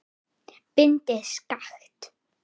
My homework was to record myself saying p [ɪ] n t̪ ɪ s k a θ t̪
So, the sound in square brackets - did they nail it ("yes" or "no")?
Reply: yes